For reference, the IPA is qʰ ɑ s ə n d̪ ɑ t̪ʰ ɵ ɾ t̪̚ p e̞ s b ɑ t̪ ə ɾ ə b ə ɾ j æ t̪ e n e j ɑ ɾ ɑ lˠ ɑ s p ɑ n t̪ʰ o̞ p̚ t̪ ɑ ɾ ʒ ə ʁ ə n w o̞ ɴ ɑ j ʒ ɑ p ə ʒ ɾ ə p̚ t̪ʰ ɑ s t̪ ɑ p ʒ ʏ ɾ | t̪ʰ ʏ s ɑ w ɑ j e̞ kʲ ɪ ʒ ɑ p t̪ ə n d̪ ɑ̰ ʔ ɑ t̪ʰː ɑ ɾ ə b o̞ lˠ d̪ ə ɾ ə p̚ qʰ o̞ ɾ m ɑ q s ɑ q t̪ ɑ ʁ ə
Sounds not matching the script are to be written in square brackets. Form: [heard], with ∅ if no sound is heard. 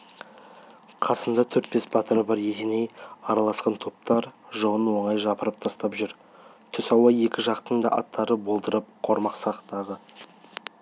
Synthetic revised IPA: qʰ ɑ s ə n d̪ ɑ t̪ʰ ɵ ɾ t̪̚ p e̞ s b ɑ t̪ ə ɾ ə b [ɑ] ɾ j [e] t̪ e n e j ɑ ɾ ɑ lˠ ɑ s [q] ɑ n t̪ʰ o̞ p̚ t̪ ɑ ɾ ʒ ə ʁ ə n w o̞ ɴ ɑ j ʒ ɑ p ə [∅] ɾ ə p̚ t̪ʰ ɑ s t̪ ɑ p ʒ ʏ ɾ | t̪ʰ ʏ s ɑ w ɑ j e̞ kʲ ɪ ʒ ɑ [q] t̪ ə n d̪ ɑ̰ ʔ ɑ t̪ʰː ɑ ɾ ə b o̞ lˠ d̪ ə ɾ ə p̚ qʰ o̞ ɾ m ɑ q s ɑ q t̪ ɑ ʁ ə